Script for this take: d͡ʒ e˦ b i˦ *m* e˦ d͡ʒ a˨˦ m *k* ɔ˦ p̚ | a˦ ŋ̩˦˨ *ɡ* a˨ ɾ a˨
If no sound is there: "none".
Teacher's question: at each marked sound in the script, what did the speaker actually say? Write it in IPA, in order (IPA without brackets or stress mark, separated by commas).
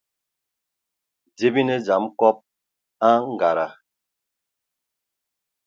n, k, ɡ